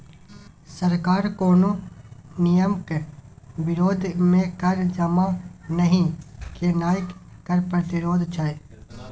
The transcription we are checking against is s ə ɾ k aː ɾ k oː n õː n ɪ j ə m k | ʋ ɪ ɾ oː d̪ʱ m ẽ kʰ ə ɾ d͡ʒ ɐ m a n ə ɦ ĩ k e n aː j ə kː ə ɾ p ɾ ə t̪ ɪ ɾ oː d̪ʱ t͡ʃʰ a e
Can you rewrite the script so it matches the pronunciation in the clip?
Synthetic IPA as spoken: s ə ɾ k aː ɾ k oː n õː n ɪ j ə m k | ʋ ɪ ɾ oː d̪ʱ m ẽ k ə ɾ d͡ʒ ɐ m a n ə ɦ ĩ k e n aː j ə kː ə ɾ p ɾ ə t̪ ɪ ɾ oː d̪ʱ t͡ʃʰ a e